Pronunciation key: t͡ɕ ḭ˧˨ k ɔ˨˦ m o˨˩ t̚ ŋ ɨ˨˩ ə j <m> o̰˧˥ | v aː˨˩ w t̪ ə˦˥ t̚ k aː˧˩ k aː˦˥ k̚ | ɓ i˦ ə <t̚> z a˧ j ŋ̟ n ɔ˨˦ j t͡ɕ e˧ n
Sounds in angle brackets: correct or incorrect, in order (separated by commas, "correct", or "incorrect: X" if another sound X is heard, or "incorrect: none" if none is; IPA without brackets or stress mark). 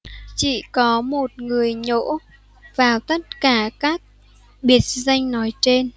incorrect: ɲ, correct